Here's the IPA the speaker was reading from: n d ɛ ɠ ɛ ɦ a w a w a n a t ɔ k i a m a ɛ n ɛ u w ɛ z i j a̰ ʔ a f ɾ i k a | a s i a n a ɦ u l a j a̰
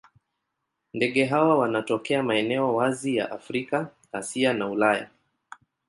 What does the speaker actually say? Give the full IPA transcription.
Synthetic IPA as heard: n d ɛ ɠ ɛ ɦ a w a w a n a t ɔ k ɛ a m a ɛ n ɛ ɔ w a z i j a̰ ʔ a f ɾ i k a | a s i a n a u l a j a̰